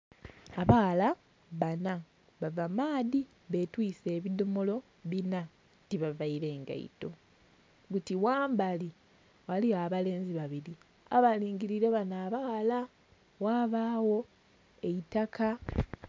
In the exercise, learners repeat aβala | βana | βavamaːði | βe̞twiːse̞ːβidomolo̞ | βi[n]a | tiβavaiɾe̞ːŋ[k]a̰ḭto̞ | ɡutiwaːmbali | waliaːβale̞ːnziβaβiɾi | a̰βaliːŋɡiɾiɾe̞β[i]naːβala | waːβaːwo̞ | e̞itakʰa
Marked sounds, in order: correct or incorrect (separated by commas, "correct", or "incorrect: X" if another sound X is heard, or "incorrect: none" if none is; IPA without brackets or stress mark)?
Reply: correct, incorrect: ɡ, incorrect: a